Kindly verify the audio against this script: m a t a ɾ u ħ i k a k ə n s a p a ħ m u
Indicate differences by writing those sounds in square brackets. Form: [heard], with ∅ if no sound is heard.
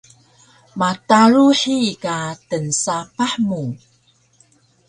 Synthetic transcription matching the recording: m a t a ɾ u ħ i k a [t] ə n s a p a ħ m u